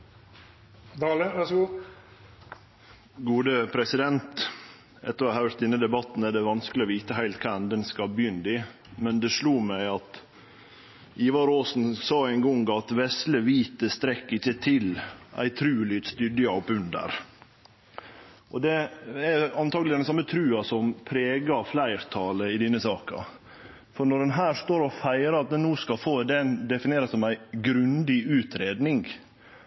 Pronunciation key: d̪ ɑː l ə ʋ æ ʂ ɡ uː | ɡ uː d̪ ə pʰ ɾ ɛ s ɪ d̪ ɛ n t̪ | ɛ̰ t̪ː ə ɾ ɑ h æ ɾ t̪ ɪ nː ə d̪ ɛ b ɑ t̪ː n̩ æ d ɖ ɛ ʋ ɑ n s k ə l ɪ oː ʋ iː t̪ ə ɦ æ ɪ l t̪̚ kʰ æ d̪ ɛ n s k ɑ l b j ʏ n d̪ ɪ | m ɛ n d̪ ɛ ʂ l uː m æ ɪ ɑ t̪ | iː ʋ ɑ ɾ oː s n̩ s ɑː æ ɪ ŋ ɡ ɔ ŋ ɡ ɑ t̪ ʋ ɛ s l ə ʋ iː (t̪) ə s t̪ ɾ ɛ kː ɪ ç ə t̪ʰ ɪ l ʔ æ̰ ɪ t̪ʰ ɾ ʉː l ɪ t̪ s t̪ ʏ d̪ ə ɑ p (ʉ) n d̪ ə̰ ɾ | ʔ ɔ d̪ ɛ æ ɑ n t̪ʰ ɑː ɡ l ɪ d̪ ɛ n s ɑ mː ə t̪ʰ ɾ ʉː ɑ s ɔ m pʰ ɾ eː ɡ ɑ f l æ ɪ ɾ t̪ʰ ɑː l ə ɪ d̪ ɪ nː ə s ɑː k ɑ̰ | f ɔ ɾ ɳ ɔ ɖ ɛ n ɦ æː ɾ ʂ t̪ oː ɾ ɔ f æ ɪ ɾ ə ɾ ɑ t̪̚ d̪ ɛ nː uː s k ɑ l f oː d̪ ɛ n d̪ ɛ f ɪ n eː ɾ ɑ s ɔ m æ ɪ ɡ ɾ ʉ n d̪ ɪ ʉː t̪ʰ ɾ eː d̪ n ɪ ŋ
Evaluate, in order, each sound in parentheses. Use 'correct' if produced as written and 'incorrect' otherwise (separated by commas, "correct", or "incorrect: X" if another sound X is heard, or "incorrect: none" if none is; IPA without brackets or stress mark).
correct, correct